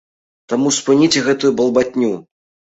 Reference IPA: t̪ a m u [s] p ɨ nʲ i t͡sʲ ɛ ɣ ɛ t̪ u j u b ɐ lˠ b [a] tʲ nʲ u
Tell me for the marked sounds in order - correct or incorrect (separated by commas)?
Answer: correct, correct